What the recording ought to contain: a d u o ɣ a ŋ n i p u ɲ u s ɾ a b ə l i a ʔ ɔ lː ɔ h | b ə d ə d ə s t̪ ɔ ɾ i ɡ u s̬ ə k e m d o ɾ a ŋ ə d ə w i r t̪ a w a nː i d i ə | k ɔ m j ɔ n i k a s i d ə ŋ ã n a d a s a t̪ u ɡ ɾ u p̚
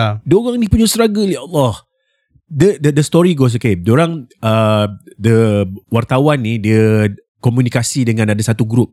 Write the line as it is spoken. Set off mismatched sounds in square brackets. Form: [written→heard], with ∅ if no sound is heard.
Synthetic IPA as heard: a d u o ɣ a ŋ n i p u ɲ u s ɾ a [b→ɡ] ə l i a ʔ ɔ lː ɔ h | [b→d] ə d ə d ə s t̪ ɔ ɾ i ɡ [u→o] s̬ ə k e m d o ɾ a ŋ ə d ə w [i→a] r t̪ a w a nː i d i ə | k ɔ m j [ɔ→u] n i k a s i d ə ŋ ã n a d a s a t̪ u ɡ ɾ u p̚